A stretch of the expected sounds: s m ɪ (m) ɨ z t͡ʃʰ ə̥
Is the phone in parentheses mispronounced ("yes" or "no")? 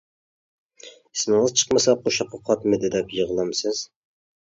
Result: yes